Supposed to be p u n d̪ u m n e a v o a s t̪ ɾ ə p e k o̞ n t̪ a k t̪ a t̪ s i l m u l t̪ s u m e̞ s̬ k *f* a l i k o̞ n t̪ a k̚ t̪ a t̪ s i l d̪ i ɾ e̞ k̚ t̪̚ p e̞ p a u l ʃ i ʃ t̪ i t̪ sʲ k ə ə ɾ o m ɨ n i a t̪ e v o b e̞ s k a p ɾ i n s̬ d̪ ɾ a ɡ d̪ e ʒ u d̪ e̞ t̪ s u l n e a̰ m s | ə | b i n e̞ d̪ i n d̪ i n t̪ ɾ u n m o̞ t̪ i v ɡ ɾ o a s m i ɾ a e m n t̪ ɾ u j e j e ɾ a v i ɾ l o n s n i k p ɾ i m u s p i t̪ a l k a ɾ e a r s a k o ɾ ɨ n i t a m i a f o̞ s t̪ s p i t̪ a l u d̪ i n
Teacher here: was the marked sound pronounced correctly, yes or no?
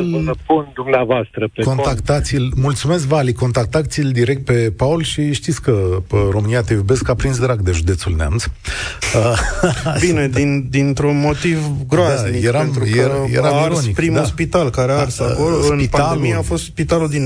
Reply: no